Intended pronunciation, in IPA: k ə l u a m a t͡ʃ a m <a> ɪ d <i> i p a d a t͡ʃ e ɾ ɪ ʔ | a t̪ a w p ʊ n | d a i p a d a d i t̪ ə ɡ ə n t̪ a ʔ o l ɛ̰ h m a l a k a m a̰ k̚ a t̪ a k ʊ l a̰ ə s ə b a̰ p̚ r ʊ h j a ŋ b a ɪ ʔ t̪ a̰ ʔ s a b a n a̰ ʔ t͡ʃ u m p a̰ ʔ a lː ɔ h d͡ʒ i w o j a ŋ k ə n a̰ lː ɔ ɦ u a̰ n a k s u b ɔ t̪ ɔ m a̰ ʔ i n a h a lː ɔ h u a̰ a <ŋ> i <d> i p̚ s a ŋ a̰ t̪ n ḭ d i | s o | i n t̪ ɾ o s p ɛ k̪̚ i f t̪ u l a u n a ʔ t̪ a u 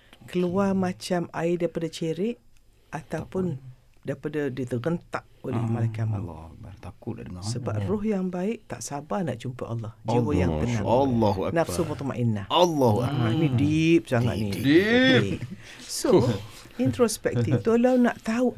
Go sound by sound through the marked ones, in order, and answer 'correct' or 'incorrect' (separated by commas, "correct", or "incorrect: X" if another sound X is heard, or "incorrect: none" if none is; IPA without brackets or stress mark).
correct, incorrect: a, incorrect: n, correct